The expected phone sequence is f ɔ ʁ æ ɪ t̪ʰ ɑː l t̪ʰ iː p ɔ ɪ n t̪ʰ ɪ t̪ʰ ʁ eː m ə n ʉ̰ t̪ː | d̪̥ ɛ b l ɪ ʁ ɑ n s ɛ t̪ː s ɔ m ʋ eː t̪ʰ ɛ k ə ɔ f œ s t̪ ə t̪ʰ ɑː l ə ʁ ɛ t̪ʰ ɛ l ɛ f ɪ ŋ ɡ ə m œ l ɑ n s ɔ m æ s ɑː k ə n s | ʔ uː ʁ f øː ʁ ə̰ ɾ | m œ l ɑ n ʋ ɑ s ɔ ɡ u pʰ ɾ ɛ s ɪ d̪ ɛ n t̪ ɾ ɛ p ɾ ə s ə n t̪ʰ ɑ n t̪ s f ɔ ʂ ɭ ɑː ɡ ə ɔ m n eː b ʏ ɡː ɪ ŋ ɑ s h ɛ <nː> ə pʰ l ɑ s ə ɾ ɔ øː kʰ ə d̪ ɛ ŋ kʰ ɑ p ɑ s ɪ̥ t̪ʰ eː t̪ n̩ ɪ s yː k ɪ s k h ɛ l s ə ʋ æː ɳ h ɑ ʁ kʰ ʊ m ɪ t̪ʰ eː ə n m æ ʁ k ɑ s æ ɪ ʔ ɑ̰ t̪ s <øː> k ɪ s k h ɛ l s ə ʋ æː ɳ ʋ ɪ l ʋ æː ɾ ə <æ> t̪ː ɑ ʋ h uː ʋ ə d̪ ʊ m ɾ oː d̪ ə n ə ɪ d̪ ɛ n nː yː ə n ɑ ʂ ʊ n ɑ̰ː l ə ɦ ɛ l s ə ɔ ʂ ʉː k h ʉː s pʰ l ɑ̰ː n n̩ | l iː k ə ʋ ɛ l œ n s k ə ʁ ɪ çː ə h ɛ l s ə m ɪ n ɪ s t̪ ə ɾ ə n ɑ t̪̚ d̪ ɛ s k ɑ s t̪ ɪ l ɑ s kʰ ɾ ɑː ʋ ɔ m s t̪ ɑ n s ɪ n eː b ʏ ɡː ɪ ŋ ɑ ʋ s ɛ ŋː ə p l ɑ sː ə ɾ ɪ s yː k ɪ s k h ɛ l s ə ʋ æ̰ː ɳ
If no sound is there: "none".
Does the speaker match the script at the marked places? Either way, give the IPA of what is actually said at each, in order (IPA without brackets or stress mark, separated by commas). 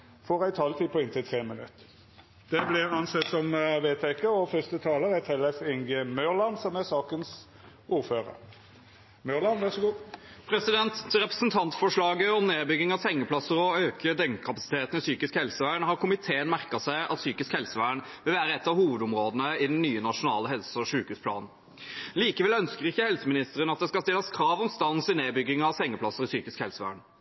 ŋː, yː, ɛ